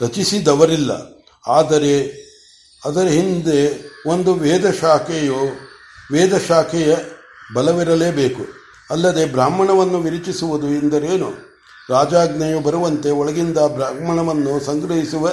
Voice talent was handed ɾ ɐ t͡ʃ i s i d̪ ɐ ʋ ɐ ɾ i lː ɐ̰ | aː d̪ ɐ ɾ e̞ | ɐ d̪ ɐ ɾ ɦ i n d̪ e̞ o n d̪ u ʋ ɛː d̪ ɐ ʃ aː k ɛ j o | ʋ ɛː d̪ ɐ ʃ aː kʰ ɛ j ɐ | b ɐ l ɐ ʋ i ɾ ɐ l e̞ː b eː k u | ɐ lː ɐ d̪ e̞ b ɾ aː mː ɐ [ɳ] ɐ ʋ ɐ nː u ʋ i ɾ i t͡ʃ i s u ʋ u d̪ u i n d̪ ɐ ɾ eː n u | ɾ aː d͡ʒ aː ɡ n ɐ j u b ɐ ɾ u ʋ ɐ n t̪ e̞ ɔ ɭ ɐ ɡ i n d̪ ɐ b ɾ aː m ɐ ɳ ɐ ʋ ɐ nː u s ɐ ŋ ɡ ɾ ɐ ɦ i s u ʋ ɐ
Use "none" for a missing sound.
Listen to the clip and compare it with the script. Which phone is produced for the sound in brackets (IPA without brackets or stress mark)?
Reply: ɳ